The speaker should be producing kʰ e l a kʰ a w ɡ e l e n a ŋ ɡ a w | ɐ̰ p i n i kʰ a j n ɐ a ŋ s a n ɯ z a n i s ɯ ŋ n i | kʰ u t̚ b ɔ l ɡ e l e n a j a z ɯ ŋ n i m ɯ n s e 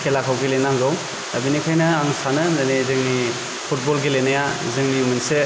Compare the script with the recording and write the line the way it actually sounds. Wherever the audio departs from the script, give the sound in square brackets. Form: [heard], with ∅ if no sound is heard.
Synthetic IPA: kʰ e l a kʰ a w ɡ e l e n a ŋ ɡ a w | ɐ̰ [b] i n i kʰ a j n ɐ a ŋ s a n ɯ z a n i [z] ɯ ŋ n i | [pʰ] u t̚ b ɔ l ɡ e l e n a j a z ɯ ŋ n i m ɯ n s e

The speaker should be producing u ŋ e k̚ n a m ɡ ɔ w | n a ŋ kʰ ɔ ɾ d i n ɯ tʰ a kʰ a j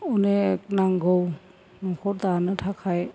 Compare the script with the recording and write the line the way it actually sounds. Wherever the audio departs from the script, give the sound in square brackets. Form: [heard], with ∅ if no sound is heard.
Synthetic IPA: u [n] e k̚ n a [ŋ] ɡ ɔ w | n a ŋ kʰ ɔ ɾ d [a] n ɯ tʰ a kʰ a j

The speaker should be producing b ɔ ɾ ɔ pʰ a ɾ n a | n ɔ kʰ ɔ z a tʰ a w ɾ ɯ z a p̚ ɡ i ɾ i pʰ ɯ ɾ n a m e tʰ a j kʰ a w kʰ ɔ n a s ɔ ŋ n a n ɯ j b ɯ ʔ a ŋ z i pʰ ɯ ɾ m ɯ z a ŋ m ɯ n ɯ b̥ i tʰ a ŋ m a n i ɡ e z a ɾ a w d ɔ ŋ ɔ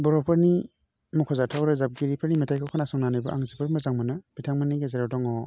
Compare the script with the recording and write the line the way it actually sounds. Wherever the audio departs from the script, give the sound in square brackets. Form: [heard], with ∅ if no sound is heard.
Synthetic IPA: b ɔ ɾ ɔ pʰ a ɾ n [i] | [m] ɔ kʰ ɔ z a tʰ a w ɾ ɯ z a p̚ ɡ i ɾ i pʰ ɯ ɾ n [i] m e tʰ a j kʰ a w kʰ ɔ n a s ɔ ŋ n a n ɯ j b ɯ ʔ a ŋ z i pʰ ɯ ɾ m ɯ z a ŋ m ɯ n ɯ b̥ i tʰ a ŋ m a n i ɡ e z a ɾ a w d ɔ ŋ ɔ

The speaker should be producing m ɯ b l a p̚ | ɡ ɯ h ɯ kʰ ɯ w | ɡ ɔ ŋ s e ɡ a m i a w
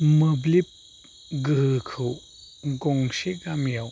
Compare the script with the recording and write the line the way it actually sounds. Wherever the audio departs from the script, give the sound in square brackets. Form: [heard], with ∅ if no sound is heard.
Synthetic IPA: m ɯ b l [i] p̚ | ɡ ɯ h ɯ kʰ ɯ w | ɡ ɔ ŋ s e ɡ a m [j] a w

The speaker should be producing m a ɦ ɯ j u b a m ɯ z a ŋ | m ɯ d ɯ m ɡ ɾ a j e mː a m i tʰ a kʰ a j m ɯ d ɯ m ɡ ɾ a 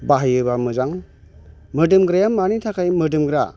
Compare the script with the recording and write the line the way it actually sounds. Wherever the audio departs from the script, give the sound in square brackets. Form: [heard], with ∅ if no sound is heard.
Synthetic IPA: [b] a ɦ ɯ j [ɯ] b a m ɯ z a ŋ | m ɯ d ɯ m ɡ ɾ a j [a] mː a [n] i tʰ a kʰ a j m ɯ d ɯ m ɡ ɾ a

